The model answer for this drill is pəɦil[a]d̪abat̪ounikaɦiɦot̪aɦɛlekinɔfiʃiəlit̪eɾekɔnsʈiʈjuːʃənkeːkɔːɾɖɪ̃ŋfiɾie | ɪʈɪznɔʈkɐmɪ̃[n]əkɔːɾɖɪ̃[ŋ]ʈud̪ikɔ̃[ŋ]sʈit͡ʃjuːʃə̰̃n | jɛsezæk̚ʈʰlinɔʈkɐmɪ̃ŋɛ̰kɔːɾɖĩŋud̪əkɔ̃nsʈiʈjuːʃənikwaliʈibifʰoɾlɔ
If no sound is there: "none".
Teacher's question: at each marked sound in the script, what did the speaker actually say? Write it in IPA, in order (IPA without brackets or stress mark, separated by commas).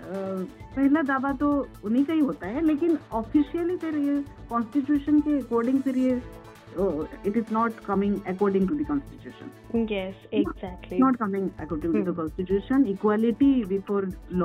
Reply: a, ŋ, ŋ, n